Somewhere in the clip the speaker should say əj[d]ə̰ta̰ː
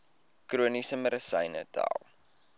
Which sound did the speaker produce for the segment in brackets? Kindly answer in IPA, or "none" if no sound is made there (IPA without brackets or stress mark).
n